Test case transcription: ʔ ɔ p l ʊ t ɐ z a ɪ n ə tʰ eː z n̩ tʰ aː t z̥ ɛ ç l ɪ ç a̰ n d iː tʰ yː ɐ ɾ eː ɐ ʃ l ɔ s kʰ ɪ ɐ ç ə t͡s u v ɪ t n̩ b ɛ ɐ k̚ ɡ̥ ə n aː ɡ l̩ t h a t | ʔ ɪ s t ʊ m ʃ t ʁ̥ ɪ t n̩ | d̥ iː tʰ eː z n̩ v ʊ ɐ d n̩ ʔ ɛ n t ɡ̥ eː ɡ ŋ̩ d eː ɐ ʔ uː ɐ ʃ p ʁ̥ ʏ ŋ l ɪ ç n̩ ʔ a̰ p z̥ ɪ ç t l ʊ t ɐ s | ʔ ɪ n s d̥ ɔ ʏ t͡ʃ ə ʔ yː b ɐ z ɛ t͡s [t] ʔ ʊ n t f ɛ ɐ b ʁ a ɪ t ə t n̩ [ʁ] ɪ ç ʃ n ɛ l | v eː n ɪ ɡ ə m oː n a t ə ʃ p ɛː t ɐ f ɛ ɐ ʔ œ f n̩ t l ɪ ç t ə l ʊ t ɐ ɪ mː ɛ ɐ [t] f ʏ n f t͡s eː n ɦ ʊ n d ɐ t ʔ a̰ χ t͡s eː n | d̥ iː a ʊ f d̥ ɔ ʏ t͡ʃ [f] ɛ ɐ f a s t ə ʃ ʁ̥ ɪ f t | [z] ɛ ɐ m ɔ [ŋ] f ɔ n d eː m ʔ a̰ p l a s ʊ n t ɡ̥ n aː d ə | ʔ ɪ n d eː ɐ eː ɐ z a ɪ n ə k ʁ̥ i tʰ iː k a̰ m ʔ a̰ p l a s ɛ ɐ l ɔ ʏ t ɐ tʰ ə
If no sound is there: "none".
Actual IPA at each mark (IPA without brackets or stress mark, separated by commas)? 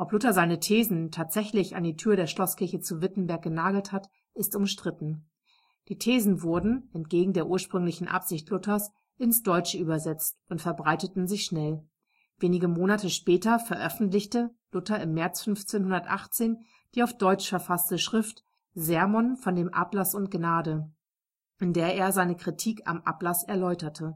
t, z, t͡s, f, z, n